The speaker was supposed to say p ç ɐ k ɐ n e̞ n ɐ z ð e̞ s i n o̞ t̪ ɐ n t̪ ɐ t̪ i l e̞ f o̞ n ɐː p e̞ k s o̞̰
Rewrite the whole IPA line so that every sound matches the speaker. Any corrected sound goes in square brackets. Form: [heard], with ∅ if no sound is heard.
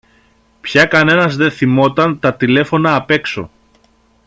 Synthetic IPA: p ç ɐ k ɐ n e̞ n ɐ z ð e̞ [θ] i [m] o̞ t̪ ɐ n t̪ ɐ t̪ i l e̞ f o̞ n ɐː p e̞ k s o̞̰